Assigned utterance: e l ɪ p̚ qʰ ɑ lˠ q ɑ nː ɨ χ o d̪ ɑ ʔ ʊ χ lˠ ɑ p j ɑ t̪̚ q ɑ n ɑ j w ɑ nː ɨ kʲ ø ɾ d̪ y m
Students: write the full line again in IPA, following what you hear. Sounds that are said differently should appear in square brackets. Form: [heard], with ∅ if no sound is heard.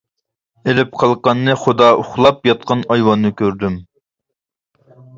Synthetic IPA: e l ɪ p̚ qʰ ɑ lˠ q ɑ nː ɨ χ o d̪ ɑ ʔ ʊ χ lˠ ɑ p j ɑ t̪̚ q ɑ n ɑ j w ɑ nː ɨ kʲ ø ɾ d̪ y m